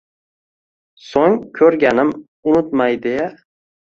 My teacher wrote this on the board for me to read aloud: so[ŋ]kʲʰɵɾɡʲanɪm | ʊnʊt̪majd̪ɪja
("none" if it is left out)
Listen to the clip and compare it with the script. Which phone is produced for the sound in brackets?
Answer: ŋ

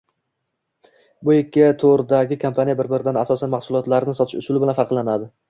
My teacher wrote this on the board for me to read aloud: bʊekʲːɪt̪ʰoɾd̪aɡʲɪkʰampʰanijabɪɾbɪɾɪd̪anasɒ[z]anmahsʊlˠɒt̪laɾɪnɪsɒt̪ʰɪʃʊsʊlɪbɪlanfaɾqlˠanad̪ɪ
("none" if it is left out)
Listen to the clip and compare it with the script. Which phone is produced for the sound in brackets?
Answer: s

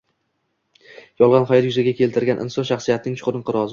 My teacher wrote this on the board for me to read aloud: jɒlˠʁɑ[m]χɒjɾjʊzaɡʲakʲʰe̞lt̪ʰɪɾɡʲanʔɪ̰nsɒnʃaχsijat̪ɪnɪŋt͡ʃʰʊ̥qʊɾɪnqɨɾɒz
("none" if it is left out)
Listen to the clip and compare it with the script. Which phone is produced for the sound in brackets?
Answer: n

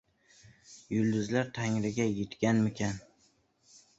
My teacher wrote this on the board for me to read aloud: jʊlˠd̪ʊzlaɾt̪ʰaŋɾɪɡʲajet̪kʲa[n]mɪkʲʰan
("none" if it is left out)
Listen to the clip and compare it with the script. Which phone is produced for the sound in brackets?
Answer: n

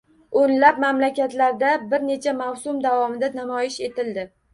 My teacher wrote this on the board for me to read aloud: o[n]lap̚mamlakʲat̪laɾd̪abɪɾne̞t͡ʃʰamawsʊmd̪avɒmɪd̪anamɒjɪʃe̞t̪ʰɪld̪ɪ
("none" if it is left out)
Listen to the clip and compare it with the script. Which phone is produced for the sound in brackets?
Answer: n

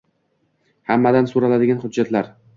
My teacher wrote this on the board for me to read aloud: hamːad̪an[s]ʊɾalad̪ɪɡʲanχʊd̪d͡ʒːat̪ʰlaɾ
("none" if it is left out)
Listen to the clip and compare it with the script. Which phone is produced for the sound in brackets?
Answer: s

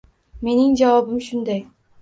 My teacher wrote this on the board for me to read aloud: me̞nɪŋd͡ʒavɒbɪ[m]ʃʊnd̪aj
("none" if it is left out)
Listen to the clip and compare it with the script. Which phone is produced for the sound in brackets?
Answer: m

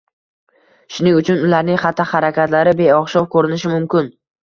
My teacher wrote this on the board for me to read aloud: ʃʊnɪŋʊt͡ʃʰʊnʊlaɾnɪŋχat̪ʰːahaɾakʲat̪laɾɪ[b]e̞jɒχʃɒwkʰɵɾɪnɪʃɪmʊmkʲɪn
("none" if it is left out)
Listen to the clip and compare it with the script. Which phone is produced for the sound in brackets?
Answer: b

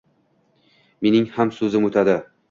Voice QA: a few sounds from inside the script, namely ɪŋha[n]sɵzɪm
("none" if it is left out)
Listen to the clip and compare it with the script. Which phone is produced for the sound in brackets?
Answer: m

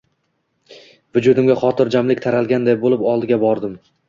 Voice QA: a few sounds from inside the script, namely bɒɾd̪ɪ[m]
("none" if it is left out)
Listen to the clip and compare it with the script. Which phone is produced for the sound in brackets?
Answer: m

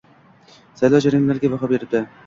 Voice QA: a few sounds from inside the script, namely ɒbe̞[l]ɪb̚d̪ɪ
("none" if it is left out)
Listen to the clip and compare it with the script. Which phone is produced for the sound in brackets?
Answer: ɾ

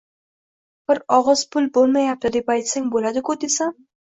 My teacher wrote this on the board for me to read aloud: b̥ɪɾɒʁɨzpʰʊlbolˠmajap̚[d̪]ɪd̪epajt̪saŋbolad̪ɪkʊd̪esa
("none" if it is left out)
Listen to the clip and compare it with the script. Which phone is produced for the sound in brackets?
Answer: t̪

